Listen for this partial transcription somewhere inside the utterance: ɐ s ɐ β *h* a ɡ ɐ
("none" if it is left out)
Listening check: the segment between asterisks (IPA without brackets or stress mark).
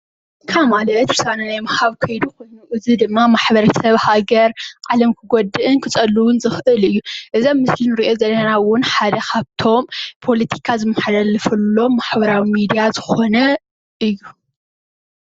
h